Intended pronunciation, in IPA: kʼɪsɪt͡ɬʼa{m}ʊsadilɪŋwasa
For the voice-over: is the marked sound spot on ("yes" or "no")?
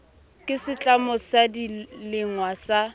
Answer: yes